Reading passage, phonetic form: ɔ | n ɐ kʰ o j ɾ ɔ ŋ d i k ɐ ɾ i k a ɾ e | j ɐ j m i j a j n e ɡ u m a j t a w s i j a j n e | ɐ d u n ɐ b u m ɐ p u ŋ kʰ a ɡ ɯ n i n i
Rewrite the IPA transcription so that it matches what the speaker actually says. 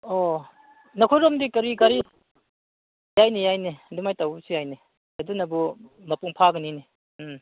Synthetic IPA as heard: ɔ | n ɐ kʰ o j ɾ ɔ m d i k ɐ ɾ i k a ɾ i | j a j n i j a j n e d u m a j t a w s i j a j n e | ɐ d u n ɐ b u m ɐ p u ŋ pʰ a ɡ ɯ n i n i